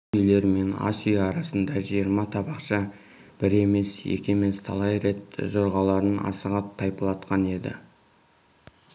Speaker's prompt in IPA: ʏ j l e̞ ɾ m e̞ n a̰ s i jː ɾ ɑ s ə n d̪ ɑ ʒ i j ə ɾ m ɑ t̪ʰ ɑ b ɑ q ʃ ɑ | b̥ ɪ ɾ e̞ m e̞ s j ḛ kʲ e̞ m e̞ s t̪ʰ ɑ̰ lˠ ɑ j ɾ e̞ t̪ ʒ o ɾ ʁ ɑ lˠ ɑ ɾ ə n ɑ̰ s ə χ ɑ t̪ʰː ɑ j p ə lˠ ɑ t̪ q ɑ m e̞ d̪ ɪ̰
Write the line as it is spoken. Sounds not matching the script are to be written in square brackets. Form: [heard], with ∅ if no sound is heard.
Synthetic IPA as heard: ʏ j l e̞ ɾ m e̞ n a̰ s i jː ɾ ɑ s ə n d̪ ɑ ʒ i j ə ɾ m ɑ t̪ʰ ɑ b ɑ q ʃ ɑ | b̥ ɪ ɾ e̞ m e̞ s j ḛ kʲ e̞ m e̞ s t̪ʰ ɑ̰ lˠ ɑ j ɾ e̞ t̪ ʒ o ɾ ʁ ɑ lˠ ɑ ɾ ə n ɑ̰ s ə [ʁ] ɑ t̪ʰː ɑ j p ə lˠ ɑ t̪ q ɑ [n] e̞ d̪ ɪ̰